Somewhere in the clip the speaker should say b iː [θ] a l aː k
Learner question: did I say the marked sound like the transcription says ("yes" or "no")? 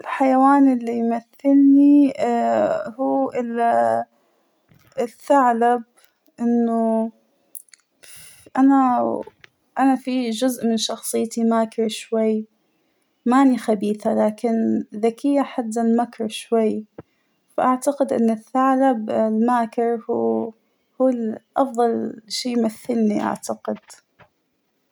yes